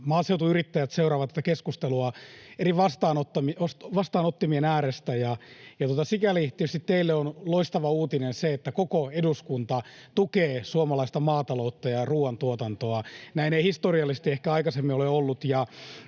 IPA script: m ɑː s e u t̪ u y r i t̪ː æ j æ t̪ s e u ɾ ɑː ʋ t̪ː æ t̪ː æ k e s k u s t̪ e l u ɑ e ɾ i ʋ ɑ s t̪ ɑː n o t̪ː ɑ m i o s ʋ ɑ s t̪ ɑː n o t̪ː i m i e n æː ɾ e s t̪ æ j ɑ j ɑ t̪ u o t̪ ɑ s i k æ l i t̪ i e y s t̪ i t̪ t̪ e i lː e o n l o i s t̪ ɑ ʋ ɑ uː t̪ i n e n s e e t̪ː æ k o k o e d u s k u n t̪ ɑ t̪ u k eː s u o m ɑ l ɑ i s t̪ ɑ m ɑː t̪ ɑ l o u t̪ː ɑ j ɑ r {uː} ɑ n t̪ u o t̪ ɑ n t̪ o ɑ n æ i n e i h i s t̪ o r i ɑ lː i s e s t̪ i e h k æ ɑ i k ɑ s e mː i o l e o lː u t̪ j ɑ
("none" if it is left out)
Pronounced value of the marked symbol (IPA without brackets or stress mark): uː